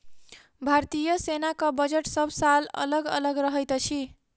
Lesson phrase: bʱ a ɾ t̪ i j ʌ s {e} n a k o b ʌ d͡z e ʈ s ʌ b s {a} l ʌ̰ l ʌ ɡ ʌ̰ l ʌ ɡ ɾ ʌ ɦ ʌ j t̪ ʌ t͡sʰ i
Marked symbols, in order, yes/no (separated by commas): yes, yes